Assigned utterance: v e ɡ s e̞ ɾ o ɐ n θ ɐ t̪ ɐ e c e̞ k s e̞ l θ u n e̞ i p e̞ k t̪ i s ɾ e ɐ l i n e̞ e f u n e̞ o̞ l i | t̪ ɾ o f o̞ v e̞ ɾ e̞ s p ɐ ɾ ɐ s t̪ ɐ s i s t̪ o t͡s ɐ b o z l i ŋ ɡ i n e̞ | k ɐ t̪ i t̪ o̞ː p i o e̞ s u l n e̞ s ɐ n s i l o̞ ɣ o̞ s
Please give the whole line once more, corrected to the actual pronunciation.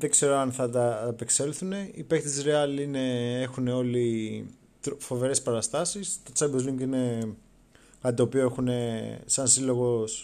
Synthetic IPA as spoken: ð e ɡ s e̞ ɾ o ɐ n θ ɐ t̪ ɐ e p e̞ k s e̞ l θ u n e̞ i p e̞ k t̪ i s ɾ e ɐ l i n e̞ e x u n e̞ o̞ l i | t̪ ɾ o f o̞ v e̞ ɾ e̞ s p ɐ ɾ ɐ s t̪ ɐ s i s t̪ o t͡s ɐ b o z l i ŋ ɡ i n e̞ | k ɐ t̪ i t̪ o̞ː p i o e̞ x u n e̞ s ɐ n s i l o̞ ɣ o̞ s